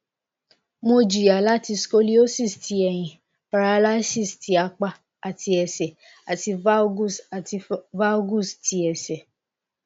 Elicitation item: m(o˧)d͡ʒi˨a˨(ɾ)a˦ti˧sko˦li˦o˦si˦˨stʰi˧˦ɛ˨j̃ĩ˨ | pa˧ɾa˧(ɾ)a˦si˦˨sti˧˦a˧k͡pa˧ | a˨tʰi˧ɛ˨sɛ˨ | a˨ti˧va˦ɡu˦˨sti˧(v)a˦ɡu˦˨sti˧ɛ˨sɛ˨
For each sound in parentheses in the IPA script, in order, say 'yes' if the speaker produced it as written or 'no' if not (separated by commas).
yes, no, no, yes